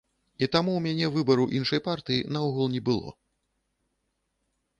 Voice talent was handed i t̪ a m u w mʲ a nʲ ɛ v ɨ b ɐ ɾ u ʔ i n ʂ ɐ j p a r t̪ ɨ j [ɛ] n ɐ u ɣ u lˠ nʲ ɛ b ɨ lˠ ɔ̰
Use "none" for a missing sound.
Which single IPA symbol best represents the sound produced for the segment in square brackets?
i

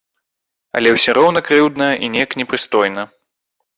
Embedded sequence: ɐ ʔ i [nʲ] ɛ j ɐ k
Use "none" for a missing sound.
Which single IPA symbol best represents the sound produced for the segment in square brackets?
nʲ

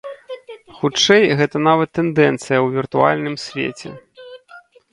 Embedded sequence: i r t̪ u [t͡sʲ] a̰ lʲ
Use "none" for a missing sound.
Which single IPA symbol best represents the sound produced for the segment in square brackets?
none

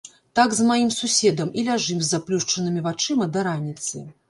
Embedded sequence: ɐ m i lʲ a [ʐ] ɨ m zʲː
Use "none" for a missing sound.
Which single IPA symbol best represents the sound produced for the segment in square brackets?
ʐ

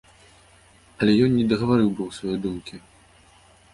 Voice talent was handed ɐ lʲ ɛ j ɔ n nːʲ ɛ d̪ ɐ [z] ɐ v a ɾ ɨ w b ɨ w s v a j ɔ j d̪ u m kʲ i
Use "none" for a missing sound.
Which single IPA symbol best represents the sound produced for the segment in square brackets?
ɣ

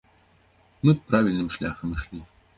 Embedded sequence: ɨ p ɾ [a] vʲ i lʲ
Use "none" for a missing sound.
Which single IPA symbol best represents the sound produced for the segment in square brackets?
a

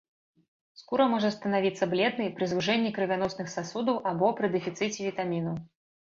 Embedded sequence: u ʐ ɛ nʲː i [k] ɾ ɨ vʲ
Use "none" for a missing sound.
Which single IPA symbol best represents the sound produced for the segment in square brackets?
k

